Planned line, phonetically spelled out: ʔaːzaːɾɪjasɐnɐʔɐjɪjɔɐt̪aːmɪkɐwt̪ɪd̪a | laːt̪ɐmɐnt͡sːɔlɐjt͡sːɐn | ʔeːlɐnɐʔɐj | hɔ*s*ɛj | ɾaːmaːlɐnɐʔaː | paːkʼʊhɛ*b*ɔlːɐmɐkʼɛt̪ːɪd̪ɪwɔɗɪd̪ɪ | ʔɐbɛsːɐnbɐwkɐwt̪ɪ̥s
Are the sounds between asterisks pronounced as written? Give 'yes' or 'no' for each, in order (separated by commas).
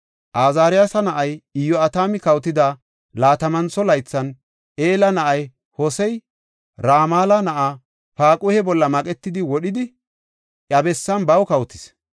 yes, yes